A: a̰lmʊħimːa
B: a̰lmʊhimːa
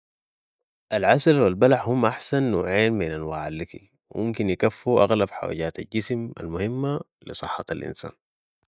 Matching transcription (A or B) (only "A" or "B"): B